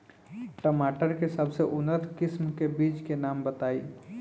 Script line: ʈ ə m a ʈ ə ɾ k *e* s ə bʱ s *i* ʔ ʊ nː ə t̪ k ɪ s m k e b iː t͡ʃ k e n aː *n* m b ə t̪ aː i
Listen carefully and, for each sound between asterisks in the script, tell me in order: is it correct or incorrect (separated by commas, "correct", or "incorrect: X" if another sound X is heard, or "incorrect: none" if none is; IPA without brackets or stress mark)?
correct, incorrect: e, incorrect: none